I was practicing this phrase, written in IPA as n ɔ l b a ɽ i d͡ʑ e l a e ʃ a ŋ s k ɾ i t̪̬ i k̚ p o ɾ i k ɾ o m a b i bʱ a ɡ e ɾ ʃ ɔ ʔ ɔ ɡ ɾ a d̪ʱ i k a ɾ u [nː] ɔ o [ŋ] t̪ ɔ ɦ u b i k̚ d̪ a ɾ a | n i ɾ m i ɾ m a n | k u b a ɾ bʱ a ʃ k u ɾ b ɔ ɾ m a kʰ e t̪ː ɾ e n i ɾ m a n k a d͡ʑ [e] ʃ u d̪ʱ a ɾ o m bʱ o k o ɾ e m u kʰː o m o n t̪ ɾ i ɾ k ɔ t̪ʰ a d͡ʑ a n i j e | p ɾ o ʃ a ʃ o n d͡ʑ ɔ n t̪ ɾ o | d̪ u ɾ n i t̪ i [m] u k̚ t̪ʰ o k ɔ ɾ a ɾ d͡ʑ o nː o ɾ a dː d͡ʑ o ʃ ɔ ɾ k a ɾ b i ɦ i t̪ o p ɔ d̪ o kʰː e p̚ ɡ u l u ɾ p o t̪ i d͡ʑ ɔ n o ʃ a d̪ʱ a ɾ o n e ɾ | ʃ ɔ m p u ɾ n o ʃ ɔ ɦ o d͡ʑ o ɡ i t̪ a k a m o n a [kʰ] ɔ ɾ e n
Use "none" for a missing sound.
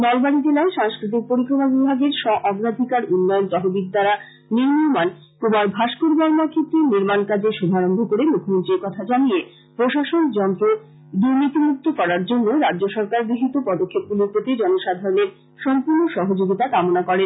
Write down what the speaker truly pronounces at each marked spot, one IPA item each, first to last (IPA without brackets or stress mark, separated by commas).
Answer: nː, n, e, m, k